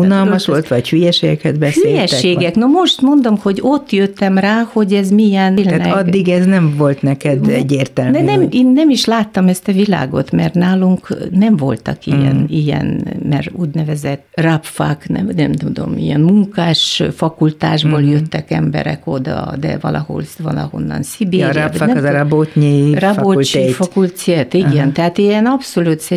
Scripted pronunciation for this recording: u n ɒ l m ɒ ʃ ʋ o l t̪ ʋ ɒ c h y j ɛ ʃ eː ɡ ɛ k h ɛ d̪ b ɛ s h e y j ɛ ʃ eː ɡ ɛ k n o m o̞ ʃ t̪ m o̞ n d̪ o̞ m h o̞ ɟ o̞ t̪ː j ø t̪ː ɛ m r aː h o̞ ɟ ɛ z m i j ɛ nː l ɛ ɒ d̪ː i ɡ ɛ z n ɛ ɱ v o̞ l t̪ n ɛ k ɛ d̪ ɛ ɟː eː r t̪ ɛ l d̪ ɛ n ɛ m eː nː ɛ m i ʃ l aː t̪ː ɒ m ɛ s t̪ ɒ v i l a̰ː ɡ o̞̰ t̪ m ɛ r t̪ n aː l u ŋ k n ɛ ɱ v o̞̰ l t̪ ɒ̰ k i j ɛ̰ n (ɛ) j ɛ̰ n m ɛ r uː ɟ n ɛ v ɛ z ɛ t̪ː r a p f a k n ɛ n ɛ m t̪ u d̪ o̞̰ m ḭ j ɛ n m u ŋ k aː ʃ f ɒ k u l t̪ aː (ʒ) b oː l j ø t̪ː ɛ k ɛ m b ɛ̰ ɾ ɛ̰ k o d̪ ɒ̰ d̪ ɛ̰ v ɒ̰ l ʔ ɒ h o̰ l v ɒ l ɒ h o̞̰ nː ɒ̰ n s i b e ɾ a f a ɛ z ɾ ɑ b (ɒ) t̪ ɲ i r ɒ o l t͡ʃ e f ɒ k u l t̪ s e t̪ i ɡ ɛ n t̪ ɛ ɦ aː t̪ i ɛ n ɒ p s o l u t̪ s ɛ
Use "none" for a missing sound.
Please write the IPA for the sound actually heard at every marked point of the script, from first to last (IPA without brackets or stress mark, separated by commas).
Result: i, ʒ, o